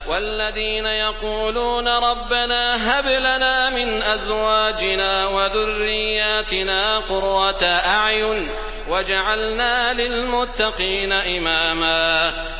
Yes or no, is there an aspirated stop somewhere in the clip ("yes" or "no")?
no